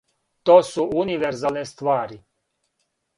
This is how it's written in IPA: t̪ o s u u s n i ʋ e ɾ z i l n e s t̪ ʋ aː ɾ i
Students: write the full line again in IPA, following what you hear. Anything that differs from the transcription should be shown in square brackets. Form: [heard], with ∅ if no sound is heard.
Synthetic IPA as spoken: t̪ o s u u [∅] n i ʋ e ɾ z [a] l n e s t̪ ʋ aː ɾ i